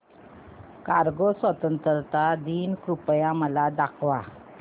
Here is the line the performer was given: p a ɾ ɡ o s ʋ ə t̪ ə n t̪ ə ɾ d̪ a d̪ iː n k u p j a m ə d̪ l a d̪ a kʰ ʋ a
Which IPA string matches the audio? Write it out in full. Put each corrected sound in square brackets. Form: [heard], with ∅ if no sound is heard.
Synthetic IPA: [k] a ɾ ɡ o s ʋ ə t̪ ə n t̪ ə ɾ [t̪] a d̪ iː n k u p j a m ə [∅] l a d̪ a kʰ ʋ a